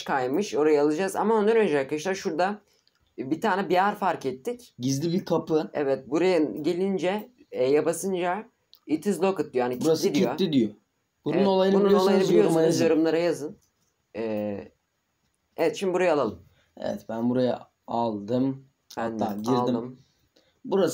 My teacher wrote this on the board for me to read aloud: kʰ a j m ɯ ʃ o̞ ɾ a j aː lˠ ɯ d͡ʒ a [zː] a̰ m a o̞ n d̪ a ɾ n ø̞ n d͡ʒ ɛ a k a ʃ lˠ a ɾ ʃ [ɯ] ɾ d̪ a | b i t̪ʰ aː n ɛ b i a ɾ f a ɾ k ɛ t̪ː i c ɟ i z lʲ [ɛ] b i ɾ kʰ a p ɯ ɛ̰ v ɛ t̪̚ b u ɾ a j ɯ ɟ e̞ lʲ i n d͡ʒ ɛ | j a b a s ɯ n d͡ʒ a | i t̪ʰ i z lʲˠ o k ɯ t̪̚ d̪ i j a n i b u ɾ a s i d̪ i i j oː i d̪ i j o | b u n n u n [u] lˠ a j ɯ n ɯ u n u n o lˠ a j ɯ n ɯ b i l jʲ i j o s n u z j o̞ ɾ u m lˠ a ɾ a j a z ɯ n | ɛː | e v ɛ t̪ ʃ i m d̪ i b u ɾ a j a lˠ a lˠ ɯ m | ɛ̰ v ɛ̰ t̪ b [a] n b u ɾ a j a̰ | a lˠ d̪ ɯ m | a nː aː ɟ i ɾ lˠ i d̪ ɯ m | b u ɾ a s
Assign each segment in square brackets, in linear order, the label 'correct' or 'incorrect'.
incorrect: z, incorrect: u, incorrect: i, incorrect: o, incorrect: æ

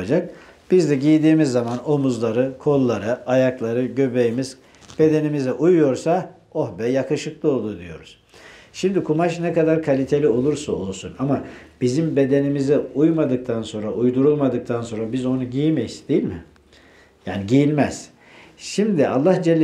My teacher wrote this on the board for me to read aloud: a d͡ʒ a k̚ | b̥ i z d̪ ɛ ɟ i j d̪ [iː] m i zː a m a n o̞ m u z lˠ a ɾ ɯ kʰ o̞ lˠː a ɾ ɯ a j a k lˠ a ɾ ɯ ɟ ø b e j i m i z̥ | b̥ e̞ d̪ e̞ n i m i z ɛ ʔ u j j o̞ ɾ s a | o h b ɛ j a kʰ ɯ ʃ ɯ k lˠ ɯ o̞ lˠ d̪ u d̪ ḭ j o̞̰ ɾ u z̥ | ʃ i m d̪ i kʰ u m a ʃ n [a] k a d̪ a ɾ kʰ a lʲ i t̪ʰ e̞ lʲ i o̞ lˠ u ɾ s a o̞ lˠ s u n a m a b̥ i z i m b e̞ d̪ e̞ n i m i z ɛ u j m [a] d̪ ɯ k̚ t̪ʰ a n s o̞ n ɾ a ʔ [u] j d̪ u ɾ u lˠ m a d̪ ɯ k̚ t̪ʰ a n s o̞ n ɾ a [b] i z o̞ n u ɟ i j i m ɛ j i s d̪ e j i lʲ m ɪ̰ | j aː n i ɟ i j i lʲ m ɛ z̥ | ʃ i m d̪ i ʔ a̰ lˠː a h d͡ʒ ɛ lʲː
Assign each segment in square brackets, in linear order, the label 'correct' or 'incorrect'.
correct, incorrect: ɛ, correct, correct, correct

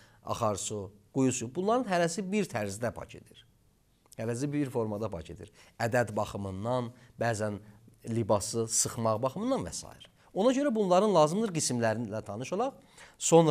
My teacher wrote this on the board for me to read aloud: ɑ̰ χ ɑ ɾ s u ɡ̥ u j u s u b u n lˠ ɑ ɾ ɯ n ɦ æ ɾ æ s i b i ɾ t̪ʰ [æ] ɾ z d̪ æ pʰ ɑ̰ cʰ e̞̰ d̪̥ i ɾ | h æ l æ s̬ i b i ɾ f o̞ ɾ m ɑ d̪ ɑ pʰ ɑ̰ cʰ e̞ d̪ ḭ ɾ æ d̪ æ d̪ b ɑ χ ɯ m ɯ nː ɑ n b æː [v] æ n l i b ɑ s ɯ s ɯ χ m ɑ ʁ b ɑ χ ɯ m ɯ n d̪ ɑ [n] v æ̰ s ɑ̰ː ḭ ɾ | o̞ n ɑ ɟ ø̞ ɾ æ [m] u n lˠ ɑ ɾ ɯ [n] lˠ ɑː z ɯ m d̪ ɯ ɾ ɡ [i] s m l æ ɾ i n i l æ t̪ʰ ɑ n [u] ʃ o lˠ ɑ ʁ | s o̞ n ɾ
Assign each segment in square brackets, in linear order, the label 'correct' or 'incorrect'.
correct, incorrect: z, correct, incorrect: b, correct, correct, incorrect: ɯ

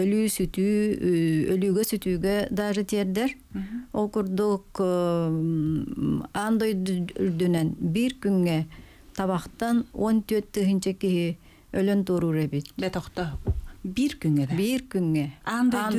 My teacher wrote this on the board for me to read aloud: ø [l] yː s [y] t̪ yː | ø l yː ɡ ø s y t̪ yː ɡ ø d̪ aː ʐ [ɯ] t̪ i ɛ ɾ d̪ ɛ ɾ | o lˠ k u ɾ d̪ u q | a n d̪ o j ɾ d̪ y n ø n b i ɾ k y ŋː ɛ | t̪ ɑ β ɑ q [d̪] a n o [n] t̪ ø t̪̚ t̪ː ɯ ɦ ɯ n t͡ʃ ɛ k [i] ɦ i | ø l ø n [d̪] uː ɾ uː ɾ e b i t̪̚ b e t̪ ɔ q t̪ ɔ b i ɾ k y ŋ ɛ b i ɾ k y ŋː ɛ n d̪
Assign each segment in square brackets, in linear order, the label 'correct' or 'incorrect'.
correct, correct, correct, incorrect: t̪, correct, correct, incorrect: t̪

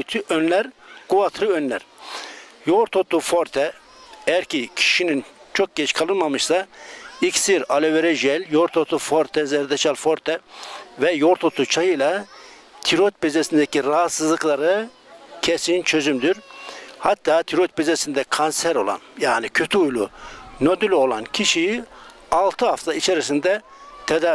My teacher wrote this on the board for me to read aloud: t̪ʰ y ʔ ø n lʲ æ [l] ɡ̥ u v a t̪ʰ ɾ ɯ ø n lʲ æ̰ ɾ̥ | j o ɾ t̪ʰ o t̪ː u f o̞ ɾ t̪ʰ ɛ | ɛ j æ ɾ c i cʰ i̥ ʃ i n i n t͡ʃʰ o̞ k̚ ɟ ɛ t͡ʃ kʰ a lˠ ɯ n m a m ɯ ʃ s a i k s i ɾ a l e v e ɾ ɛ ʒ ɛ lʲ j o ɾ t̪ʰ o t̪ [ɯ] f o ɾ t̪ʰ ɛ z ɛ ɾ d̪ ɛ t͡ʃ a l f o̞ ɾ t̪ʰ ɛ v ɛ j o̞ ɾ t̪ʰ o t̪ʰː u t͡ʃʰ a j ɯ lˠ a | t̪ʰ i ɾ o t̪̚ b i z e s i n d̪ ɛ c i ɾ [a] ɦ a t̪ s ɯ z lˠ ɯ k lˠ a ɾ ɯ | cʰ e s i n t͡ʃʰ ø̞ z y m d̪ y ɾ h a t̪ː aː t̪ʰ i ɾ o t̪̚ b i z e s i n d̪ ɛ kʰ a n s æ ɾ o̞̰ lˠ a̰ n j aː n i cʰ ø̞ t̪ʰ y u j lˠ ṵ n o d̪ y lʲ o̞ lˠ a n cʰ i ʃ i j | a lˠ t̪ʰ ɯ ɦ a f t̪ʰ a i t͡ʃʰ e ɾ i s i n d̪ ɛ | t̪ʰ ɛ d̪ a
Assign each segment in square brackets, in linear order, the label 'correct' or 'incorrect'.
incorrect: ɾ, incorrect: u, correct

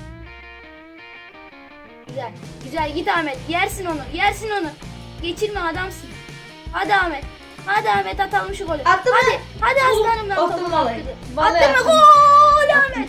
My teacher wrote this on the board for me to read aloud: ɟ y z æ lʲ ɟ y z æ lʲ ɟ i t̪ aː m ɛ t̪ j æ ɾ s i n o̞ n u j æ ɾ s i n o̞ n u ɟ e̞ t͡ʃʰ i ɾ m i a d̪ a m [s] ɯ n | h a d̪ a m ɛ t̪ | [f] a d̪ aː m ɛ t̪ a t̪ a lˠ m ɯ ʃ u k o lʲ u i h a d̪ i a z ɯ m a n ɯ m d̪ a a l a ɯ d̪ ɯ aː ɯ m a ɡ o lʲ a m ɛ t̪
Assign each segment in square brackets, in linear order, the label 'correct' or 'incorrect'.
correct, incorrect: h

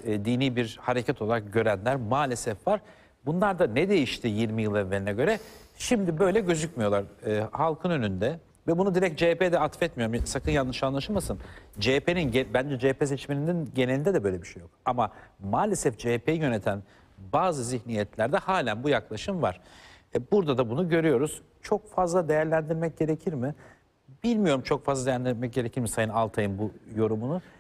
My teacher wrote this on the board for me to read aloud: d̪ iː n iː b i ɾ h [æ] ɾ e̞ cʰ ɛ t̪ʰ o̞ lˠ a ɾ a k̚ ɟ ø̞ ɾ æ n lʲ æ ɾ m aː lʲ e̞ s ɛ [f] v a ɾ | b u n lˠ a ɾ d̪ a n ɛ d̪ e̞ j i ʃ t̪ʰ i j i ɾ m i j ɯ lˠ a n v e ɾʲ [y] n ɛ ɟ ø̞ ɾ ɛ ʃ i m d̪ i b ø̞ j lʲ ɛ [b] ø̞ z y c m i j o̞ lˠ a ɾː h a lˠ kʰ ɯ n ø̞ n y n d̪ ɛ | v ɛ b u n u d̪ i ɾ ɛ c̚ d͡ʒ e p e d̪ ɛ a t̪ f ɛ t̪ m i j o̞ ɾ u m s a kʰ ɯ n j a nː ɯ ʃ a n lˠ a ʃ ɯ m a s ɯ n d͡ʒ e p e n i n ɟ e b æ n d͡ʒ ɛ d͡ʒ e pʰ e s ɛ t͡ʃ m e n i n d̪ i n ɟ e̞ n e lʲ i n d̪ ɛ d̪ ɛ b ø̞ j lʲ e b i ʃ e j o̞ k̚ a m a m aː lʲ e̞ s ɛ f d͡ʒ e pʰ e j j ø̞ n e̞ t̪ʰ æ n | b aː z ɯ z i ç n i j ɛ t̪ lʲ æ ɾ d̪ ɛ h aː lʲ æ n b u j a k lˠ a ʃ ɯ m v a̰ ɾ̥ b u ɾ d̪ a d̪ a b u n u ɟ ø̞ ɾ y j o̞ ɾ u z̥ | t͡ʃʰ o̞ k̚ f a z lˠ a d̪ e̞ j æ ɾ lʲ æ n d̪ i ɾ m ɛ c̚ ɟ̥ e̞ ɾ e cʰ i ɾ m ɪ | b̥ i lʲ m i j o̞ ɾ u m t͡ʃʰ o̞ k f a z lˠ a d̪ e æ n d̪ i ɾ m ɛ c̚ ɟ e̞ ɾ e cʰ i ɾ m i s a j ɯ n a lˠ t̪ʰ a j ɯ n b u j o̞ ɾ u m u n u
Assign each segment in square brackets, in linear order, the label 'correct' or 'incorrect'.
incorrect: a, correct, incorrect: i, incorrect: ɟ

